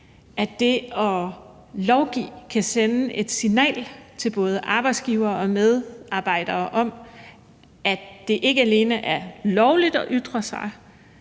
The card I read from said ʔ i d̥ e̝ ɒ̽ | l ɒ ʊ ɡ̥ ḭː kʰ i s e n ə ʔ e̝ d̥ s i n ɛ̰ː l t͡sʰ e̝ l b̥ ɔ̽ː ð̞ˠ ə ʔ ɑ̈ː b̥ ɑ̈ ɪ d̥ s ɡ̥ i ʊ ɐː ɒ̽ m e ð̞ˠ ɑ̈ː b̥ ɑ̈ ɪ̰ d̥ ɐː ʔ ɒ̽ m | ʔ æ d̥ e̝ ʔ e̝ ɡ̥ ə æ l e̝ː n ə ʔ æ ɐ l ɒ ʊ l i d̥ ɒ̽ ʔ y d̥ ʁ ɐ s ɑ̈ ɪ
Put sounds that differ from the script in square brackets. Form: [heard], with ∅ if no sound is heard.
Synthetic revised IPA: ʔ [æ] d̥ e̝ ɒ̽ | l ɒ ʊ ɡ̥ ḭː kʰ [æ] s e n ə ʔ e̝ d̥ s i n ɛ̰ː l t͡sʰ e̝ l b̥ ɔ̽ː ð̞ˠ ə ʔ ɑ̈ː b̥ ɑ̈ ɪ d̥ s ɡ̥ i ʊ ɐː ɒ̽ m e ð̞ˠ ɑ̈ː b̥ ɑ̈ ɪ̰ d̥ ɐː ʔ ɒ̽ m | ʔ æ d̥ e̝ ʔ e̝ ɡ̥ ə æ l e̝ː n ə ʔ æ ɐ l ɒ ʊ l i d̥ ɒ̽ ʔ y d̥ ʁ ɐ s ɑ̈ ɪ

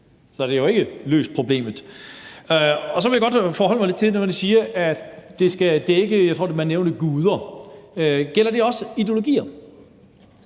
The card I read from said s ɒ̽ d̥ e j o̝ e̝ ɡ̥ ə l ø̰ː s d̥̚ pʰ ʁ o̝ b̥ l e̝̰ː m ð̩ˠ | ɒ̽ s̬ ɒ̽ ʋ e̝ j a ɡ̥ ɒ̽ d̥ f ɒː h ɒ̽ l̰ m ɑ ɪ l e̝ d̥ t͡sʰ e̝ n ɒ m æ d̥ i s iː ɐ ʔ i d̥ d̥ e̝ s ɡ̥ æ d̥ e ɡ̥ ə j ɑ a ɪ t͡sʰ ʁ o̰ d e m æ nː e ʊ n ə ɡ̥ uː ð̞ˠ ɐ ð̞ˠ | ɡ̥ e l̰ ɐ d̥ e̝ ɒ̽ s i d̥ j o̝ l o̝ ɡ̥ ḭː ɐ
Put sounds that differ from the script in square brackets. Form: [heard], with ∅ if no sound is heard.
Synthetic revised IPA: s ɒ̽ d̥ e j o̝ e̝ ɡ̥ ə l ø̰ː s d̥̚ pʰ ʁ o̝ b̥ l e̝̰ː m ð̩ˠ | ɒ̽ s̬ ɒ̽ ʋ e̝ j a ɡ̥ ɒ̽ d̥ f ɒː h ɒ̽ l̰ m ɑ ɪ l e̝ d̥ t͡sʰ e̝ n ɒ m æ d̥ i s iː ɐ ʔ [æ] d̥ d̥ e̝ s ɡ̥ æ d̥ e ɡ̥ ə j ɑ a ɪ t͡sʰ ʁ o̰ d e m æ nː e ʊ n ə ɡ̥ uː ð̞ˠ ɐ [∅] | ɡ̥ e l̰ ɐ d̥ e̝ ɒ̽ s i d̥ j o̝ l o̝ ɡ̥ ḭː ɐ

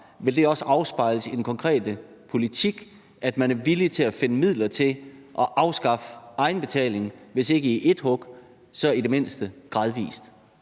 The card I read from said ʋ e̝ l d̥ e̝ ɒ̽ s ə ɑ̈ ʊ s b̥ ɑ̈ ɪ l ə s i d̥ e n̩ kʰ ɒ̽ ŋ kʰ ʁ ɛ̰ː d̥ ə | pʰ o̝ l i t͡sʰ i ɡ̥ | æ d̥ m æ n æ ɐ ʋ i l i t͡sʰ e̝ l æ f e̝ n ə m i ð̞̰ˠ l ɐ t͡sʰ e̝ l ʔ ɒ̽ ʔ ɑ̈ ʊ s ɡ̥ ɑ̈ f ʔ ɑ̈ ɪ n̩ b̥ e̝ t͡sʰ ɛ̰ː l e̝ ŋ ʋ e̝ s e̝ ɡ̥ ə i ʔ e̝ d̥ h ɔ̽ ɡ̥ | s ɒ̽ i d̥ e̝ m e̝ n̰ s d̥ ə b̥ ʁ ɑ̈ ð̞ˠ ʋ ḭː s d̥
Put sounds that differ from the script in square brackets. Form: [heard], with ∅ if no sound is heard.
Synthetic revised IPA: ʋ e̝ l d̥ e̝ ɒ̽ s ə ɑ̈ ʊ s b̥ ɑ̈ ɪ l ə s i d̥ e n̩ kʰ ɒ̽ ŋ kʰ ʁ ɛ̰ː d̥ ə | pʰ o̝ l i t͡sʰ i ɡ̥ | æ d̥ m æ n æ ɐ ʋ i l i t͡sʰ e̝ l æ f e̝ n ə m i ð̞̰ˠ l ɐ t͡sʰ e̝ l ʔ ɒ̽ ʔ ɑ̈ ʊ s ɡ̥ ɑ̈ f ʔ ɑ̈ ɪ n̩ b̥ e̝ t͡sʰ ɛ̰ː l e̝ ŋ ʋ e̝ s e̝ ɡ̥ ə i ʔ e̝ d̥ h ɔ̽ ɡ̥ | s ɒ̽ i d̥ e̝ m e̝ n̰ s d̥ ə [ɡ̥] ʁ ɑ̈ ð̞ˠ ʋ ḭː s d̥

